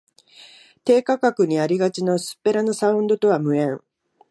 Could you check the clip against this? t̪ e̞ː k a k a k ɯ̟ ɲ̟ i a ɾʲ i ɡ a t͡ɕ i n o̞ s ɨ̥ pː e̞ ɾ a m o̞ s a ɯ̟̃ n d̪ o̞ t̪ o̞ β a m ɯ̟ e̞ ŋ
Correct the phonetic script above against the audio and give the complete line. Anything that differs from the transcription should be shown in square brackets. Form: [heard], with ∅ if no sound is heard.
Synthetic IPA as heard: t̪ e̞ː k a k a k ɯ̟ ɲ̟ i a ɾʲ i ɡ a t͡ɕ i n o̞ s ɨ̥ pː e̞ ɾ a [n] o̞ s a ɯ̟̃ n d̪ o̞ t̪ o̞ β a m ɯ̟ [ẽ̞] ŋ